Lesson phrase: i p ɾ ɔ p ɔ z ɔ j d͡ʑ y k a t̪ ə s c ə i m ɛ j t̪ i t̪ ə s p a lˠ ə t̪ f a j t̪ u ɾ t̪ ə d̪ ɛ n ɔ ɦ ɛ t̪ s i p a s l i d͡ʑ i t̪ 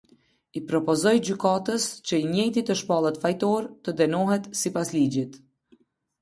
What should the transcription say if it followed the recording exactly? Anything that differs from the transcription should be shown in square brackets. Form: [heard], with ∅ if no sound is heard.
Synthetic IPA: i p ɾ ɔ p ɔ z ɔ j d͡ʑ y k a t̪ ə s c ə i [ɲ] ɛ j t̪ i t̪ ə [ʃ] p a lˠ ə t̪ f a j t̪ [ɔ] ɾ t̪ ə d̪ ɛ n ɔ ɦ ɛ t̪ s i p a s l i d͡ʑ i t̪